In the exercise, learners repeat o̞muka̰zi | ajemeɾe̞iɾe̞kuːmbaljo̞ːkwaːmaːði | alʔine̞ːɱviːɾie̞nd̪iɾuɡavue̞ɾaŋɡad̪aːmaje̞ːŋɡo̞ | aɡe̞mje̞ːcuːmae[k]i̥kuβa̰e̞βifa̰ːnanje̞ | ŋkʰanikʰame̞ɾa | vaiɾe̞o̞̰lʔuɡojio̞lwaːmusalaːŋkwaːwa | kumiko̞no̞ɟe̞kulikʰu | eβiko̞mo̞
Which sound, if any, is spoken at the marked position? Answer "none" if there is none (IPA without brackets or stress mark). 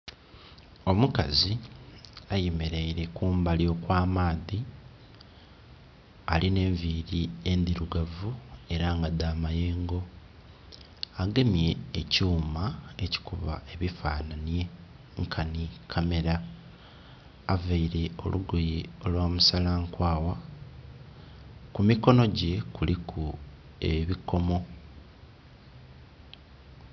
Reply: c